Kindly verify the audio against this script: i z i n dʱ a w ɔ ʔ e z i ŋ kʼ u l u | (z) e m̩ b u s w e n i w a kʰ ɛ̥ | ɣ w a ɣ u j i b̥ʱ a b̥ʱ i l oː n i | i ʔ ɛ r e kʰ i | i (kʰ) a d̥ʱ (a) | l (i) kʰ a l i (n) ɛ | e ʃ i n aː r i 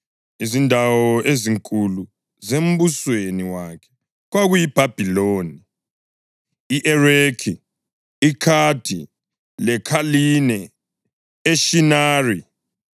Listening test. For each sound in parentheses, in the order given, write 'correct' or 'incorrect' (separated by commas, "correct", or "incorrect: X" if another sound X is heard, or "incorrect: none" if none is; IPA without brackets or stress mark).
correct, correct, incorrect: i, incorrect: ɛ, correct